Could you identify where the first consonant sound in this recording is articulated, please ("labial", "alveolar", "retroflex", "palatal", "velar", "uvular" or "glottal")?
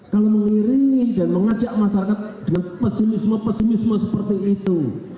velar